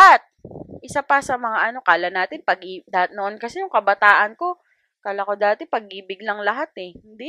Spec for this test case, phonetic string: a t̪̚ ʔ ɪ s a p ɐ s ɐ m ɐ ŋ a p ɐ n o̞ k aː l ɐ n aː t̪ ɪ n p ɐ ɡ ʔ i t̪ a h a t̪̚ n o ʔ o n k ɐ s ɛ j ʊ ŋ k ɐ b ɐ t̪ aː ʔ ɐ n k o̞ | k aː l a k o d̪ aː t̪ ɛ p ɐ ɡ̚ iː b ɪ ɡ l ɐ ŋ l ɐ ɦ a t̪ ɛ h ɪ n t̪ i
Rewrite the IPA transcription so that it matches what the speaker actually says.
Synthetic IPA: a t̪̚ ʔ ɪ s a p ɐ s ɐ m ɐ ŋ a ʔ ɐ n o̞ k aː l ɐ n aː t̪ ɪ n p ɐ ɡ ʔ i d̪ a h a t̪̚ n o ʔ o n k ɐ s ɛ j ʊ ŋ k ɐ b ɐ t̪ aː ʔ ɐ n k o̞ | k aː l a k o d̪ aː t̪ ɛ p ɐ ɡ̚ iː b ɪ ɡ l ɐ ŋ l ɐ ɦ a t̪ ɛ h ɪ n d̪ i